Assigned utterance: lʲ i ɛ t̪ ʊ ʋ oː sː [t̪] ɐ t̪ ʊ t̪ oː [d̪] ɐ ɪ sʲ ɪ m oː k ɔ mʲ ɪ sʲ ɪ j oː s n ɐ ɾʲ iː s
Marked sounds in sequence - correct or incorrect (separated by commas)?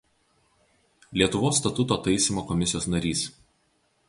correct, incorrect